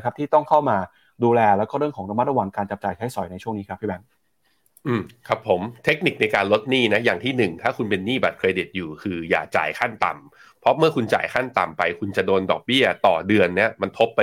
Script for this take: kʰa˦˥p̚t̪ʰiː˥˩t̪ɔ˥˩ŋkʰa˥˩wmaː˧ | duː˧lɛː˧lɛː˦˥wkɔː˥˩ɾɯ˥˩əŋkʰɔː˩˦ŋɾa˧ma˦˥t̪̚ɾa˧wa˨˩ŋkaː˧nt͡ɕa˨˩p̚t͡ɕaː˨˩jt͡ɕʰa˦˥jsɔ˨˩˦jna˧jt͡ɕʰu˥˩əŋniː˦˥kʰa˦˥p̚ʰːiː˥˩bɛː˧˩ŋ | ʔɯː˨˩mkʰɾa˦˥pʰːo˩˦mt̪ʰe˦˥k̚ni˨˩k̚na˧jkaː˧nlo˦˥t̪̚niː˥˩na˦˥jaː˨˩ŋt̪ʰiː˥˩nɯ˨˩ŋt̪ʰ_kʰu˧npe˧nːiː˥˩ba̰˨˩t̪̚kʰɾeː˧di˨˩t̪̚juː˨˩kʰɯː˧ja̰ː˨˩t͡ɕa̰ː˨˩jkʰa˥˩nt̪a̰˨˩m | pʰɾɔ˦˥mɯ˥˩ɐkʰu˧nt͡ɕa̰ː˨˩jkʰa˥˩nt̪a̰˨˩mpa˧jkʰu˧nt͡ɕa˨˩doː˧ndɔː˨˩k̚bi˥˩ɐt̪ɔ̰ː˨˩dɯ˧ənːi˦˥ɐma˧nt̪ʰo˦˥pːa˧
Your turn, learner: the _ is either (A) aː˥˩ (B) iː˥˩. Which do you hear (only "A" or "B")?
A